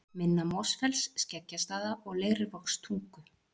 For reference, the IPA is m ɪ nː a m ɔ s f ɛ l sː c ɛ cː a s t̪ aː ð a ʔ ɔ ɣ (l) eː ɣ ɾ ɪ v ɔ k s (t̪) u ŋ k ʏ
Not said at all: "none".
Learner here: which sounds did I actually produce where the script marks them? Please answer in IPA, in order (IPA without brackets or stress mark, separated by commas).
l, t̪ʰ